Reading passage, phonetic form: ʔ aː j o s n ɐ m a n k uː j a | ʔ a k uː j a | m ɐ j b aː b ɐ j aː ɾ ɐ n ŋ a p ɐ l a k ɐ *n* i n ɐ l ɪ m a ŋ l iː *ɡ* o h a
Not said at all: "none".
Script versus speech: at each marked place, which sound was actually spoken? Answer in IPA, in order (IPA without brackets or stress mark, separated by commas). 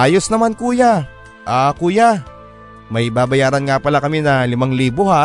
m, b